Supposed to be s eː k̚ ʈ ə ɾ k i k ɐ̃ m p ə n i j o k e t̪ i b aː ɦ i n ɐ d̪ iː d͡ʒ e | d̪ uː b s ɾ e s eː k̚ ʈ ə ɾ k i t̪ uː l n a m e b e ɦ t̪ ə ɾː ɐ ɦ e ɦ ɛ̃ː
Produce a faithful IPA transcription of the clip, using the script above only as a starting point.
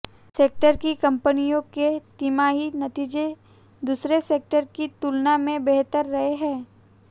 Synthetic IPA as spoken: s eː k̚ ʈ ə ɾ k i k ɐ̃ m p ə n i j õ k e t̪ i m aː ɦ i n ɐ t̪ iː d͡ʒ e | d̪ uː s ɾ e s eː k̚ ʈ ə ɾ k i t̪ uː l n a m ẽ b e ɦ t̪ ə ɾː ɐ ɦ e ɦ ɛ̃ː

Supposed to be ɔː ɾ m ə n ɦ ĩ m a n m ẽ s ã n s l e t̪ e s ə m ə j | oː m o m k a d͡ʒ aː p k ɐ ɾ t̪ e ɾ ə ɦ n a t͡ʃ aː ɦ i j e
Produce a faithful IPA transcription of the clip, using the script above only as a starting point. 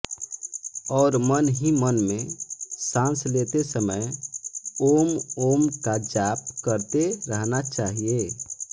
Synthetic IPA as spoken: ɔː ɾ m ə n ɦ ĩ m ə n m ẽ s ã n s l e t̪ e s ə m ə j | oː m o m k a d͡ʒ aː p k ə ɾ t̪ e ɾ ə ɦ n a t͡ʃ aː ɦ i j e

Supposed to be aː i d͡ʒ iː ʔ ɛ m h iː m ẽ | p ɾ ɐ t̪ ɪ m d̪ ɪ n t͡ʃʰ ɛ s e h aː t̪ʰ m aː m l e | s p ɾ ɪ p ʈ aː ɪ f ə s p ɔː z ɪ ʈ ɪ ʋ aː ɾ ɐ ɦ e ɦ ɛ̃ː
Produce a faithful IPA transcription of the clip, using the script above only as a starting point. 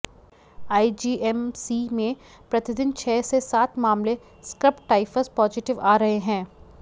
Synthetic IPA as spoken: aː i d͡ʒ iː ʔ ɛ m s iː m ẽ | p ɾ ɐ t̪ ɪ d̪ ɪ n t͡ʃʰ ɛː s e s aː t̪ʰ m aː m l e | s k ɾ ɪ p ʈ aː ɪ f ə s p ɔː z ɪ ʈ ɪ ʋ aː ɾ ɐ ɦ e ɦ ɛ̃ː

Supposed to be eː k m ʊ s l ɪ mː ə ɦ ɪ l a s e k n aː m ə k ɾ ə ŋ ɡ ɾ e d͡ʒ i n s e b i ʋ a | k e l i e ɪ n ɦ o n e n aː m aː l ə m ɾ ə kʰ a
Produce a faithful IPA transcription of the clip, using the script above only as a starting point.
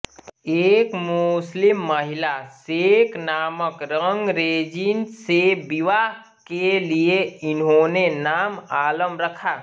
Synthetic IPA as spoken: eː k m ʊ s l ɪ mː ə ɦ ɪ l a s e k n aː m ə k ɾ ə ŋ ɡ ɾ e d͡ʒ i n s e b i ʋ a | k e l i e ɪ n ɦ o n e n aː m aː l ə m ɾ ə kʰ a

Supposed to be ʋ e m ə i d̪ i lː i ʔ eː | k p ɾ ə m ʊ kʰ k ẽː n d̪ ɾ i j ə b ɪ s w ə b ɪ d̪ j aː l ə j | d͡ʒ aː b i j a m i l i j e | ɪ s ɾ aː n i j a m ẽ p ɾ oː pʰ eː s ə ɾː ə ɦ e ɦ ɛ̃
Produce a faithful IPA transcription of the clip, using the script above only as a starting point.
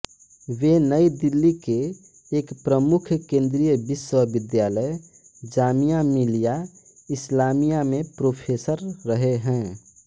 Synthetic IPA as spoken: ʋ e n ə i d̪ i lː i k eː | k p ɾ ə m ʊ kʰ k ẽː n d̪ ɾ i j ə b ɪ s w ə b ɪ d̪ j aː l ə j | d͡ʒ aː m i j a m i l i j a | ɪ s l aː m i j a m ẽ p ɾ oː pʰ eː s ə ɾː ə ɦ e ɦ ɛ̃

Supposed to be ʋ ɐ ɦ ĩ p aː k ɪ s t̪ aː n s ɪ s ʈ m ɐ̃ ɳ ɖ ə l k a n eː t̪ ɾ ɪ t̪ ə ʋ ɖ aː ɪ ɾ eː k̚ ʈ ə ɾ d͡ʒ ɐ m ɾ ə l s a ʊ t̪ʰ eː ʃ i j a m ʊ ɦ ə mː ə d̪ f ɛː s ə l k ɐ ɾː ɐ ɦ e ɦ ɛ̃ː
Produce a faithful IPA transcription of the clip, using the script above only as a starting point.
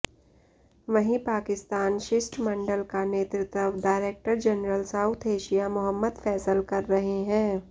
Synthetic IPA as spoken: ʋ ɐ ɦ ĩ p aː k ɪ s t̪ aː n ʃ ɪ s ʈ m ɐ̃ ɳ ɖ ə l k a n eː t̪ ɾ ɪ t̪ ə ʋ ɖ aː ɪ ɾ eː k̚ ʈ ə ɾ d͡ʒ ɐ n ɾ ə l s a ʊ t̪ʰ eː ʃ i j a m ʊ ɦ ə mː ə d̪ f ɛː s ə l k ɐ ɾː ɐ ɦ e ɦ ɛ̃ː

